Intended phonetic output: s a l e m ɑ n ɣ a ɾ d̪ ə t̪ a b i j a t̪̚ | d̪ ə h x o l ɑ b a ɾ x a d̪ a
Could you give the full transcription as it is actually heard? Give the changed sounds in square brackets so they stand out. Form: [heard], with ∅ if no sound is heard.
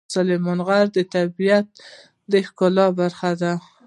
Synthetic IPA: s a l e m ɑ n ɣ a ɾ d̪ ə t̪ a b i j a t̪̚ | d̪ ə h [k] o l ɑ b a ɾ x a d̪ a